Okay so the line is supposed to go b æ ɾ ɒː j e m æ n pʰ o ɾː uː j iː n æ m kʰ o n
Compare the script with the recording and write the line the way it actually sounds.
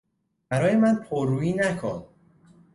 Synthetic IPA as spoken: b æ ɾ ɒː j e m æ n pʰ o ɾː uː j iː n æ kʰ o n